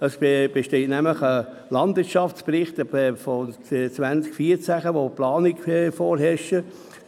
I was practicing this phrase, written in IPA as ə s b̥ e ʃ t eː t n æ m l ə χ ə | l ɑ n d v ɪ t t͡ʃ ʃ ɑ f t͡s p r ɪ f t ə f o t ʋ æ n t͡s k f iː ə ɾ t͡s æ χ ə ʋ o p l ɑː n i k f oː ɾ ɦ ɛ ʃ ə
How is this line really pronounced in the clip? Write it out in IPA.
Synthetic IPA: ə s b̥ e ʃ t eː t n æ m l ə χ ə | l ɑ n d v ɪ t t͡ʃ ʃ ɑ f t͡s p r ɪ χ t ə f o t͡s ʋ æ n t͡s k f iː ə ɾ t͡s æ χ ə ʋ o p l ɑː n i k f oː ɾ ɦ ɛ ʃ ə